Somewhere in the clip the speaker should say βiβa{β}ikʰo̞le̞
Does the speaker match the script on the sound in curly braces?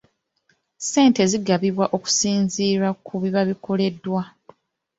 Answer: yes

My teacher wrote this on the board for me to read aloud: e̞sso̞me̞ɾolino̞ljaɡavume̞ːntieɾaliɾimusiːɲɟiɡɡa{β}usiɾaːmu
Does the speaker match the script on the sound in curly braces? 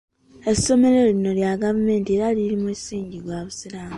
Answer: yes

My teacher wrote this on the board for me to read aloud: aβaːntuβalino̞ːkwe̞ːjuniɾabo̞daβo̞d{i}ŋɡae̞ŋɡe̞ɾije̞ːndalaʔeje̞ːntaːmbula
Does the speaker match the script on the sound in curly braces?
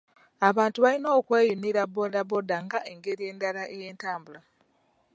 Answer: no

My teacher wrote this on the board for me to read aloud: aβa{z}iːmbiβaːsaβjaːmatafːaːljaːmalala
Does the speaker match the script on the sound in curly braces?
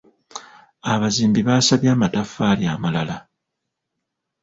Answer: yes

